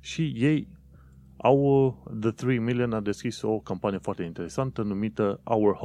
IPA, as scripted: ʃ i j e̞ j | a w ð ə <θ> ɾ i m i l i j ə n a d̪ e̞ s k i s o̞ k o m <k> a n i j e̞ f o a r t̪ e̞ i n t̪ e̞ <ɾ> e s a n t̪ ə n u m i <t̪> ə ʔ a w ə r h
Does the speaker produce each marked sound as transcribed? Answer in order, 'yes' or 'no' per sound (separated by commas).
yes, no, yes, yes